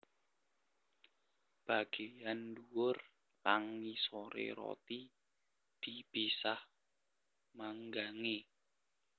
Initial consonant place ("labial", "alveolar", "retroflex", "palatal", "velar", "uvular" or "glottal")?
labial